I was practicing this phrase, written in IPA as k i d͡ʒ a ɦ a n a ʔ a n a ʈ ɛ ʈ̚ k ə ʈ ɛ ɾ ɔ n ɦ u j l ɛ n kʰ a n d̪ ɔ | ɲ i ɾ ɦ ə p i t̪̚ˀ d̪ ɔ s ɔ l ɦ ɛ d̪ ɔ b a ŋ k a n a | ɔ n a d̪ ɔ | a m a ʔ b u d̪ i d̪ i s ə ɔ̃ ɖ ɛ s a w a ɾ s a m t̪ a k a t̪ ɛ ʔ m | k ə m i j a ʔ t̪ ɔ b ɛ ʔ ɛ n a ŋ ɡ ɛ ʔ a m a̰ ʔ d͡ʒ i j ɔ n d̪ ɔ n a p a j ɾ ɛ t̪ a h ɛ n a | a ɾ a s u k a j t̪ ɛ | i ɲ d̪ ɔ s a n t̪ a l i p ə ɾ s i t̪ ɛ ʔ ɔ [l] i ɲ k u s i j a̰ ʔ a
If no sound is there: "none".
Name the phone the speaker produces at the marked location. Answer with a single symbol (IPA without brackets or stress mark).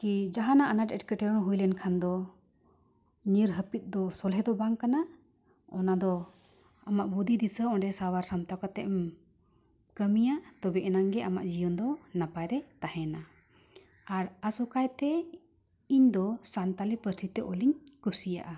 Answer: l